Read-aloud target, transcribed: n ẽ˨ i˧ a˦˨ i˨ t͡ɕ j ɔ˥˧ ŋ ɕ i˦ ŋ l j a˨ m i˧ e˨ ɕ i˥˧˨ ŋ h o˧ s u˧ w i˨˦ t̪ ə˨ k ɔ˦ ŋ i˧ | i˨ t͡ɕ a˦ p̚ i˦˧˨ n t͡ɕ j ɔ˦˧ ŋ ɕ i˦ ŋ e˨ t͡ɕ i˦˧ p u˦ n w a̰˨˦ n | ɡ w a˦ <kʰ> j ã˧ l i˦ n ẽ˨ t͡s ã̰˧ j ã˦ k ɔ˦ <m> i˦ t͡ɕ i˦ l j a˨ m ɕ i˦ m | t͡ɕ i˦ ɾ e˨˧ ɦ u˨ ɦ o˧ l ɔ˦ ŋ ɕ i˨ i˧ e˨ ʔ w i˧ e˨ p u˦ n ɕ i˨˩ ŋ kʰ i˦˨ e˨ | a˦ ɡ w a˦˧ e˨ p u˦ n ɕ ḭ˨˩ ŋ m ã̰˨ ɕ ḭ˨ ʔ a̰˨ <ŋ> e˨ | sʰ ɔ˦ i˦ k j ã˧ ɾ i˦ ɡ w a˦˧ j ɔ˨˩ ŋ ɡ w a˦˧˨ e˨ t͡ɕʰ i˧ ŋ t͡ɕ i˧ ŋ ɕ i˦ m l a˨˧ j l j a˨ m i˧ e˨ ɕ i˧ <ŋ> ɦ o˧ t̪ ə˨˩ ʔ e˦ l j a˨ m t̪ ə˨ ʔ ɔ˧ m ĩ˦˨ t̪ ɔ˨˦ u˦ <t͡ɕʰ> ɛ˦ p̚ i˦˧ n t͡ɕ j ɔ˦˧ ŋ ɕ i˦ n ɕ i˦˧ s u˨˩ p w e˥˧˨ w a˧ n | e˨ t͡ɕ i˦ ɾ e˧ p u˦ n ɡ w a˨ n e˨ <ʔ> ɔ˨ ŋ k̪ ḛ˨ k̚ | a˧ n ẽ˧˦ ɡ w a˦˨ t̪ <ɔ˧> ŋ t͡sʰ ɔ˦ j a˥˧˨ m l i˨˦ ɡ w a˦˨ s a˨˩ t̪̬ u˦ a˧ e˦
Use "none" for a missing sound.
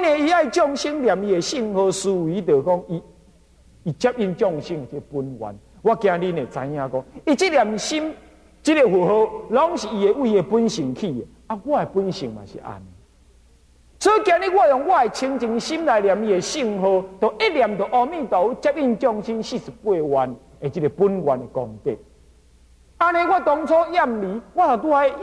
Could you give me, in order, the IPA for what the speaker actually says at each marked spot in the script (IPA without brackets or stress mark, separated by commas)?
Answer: k, ŋ, n, ŋ, t͡ɕ, k, ɔ˧